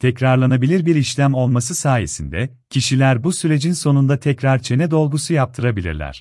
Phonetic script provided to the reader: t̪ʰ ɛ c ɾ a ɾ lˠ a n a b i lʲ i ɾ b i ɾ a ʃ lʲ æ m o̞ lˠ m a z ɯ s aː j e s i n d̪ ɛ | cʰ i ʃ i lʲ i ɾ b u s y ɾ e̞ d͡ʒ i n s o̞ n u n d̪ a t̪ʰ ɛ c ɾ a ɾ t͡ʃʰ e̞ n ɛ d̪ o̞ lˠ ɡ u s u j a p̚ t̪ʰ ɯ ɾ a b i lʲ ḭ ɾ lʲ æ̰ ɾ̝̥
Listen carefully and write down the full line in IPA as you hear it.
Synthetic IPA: t̪ʰ ɛ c ɾ a ɾ lˠ a n a b i lʲ i ɾ b i ɾ i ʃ lʲ æ m o̞ lˠ m a s ɯ s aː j e s i n d̪ ɛ | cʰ i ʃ i lʲ æ ɾ b u s y ɾ e̞ d͡ʒ i n s o̞ n u n d̪ a t̪ʰ ɛ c ɾ a ɾ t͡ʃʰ e̞ n ɛ d̪ o̞ lˠ ɡ u s u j a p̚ t̪ʰ ɯ ɾ a b i lʲ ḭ ɾ lʲ æ̰ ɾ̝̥